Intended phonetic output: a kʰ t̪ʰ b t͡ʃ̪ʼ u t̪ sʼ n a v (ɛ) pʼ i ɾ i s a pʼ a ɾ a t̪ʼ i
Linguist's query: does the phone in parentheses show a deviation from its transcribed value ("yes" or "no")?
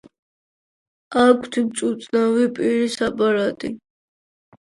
yes